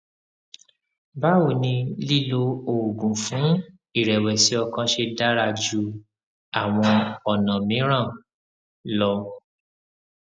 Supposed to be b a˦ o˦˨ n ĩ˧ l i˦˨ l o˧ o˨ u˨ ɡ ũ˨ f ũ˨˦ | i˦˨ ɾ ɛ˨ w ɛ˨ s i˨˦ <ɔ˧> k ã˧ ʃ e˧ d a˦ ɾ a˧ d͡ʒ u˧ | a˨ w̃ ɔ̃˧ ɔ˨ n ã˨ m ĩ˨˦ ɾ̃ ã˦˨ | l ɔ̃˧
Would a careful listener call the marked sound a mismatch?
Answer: no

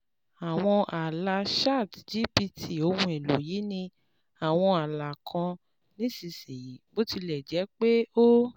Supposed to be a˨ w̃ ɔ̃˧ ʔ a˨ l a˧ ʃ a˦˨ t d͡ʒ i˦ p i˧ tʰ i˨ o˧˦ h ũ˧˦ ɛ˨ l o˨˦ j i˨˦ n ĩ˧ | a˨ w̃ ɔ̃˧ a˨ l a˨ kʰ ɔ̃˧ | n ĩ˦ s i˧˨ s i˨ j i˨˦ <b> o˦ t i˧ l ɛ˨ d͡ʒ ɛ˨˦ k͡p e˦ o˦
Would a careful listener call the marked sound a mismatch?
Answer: no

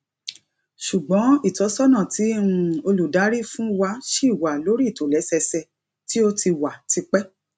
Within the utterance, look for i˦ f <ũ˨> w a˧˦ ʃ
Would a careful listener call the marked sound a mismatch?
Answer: yes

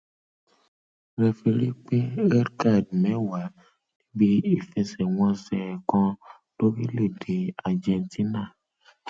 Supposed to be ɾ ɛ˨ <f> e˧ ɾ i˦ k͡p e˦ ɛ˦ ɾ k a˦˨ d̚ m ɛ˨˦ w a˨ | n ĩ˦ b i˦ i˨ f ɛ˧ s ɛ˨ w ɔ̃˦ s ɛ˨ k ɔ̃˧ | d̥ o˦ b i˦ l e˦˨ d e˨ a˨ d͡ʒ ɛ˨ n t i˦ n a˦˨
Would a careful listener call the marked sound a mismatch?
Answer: no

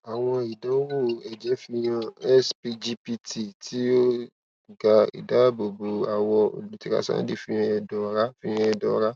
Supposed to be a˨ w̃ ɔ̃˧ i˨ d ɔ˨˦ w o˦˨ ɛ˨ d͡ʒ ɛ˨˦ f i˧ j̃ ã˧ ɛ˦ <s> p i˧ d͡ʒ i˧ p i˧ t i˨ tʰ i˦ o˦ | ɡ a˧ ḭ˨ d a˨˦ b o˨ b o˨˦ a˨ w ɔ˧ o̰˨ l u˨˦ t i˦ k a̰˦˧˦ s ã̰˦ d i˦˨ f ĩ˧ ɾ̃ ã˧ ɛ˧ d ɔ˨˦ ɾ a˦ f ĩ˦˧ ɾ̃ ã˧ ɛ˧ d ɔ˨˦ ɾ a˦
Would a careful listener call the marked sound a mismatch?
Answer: no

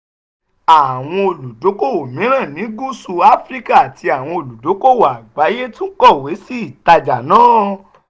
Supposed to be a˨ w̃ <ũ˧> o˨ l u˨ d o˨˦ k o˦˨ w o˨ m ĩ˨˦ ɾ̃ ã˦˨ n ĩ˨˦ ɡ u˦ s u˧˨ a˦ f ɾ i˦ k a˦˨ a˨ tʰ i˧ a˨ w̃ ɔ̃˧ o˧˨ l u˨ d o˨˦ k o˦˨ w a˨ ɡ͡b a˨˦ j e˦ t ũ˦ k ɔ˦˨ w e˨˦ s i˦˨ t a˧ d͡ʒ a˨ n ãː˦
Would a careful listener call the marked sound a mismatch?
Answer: yes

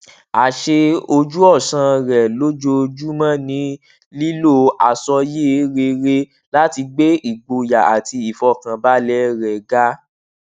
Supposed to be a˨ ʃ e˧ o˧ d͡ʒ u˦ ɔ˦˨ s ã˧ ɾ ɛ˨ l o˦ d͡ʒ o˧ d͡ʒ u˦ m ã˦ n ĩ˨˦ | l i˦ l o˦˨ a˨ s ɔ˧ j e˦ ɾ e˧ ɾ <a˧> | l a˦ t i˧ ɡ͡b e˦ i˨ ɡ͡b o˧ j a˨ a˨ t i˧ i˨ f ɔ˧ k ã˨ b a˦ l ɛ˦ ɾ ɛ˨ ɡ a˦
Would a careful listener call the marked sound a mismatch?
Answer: yes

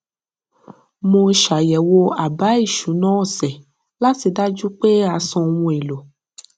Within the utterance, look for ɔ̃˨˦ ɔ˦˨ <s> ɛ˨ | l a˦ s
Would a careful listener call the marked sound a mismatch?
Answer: no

